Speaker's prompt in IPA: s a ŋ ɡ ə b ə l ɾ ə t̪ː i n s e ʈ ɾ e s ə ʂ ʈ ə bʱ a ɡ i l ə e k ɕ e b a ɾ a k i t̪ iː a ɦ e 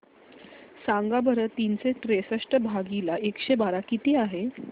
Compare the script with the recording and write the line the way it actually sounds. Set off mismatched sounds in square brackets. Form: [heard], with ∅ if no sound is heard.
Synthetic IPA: s a ŋ ɡ [a] b ə [∅] ɾ ə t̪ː i n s e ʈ ɾ e s ə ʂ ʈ ə bʱ a ɡ i l [a] e k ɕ e b a ɾ a k i t̪ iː a ɦ e